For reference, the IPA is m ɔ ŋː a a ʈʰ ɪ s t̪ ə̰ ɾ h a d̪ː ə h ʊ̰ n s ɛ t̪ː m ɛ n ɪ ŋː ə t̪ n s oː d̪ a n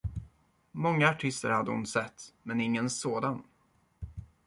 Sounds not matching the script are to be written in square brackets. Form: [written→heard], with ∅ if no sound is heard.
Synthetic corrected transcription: m ɔ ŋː a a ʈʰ ɪ s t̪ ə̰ ɾ h a d̪ː ə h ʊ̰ n s ɛ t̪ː m ɛ n ɪ ŋː ə [t̪→∅] n s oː d̪ a n